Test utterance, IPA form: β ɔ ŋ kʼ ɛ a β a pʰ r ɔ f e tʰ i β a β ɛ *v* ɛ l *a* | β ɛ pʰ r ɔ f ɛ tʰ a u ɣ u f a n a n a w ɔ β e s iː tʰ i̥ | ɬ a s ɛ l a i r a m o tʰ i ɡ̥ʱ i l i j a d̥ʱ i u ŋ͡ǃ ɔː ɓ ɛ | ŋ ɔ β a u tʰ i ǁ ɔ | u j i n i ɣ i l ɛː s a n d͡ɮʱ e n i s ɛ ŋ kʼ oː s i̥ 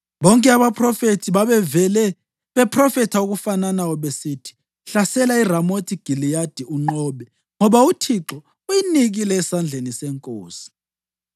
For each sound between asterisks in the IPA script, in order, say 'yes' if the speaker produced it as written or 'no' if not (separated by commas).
yes, no